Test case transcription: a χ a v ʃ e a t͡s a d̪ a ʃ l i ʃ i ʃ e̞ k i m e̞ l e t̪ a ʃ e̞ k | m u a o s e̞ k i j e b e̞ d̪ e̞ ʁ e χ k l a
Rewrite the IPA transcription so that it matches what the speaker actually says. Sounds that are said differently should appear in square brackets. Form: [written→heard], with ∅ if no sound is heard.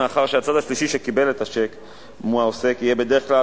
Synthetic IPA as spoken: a χ a [v→ʁ] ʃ e a t͡s a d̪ a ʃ l i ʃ i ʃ e̞ k i [m→b] e̞ l e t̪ a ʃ e̞ k | m u a o s e̞ k i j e b e̞ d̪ e̞ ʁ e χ k l a